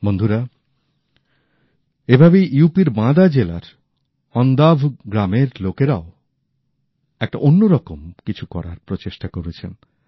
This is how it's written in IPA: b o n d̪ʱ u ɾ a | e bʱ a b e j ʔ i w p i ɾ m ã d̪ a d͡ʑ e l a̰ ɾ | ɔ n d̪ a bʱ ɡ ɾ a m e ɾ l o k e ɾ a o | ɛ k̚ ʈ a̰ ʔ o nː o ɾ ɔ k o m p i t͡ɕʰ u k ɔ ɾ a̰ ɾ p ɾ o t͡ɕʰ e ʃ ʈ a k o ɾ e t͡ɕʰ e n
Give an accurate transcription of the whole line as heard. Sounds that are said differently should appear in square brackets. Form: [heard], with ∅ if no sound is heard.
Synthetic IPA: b o n d̪ʱ u ɾ a | e bʱ a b e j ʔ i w p i ɾ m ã d̪ a d͡ʑ e l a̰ ɾ | ɔ n d̪ a bʱ ɡ ɾ a m e ɾ l o k e ɾ a o | ɛ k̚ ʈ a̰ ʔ o nː o ɾ ɔ k o m [k] i t͡ɕʰ u k ɔ ɾ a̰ ɾ p ɾ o [t͡ɕ] e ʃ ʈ a k o ɾ e t͡ɕʰ e n